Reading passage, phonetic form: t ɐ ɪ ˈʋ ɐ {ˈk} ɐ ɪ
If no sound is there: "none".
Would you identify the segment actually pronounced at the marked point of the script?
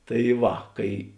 k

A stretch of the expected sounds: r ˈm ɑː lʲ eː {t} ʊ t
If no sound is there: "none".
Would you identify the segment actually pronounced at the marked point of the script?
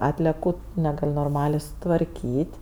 s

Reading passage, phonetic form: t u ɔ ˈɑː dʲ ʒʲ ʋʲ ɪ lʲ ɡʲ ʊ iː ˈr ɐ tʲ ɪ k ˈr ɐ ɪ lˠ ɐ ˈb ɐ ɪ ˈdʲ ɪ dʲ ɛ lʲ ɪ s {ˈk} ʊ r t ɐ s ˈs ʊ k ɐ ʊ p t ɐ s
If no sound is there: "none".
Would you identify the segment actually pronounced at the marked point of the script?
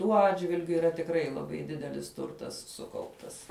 t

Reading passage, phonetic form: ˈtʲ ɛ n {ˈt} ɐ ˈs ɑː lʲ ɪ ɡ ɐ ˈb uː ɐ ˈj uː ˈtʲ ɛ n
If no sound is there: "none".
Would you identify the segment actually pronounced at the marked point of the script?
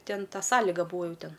t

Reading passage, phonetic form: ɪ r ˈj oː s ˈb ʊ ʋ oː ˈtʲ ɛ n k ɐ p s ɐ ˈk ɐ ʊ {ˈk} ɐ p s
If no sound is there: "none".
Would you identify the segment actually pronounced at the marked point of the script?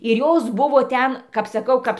k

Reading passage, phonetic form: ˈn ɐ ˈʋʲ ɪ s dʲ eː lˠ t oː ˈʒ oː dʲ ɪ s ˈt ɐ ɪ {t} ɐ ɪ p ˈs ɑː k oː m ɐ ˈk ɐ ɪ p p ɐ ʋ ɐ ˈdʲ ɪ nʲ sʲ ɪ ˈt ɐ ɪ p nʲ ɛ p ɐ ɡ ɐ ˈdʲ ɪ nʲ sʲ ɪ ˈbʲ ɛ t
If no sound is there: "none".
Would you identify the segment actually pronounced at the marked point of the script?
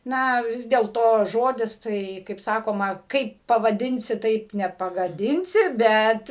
k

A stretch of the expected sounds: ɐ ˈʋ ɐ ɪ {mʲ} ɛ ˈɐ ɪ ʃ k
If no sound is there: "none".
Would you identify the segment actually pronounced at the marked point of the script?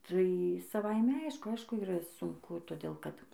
mʲ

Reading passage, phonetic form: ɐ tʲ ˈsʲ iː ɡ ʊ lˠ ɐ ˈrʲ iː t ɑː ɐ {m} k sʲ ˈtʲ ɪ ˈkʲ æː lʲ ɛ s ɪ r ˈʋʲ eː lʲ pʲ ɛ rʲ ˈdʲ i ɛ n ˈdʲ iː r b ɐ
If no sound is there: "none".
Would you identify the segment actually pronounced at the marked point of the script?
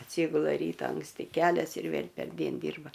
ŋ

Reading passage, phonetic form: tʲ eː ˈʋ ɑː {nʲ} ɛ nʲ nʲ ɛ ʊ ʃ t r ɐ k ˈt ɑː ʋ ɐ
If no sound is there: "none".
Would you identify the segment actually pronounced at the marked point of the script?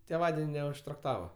dʲ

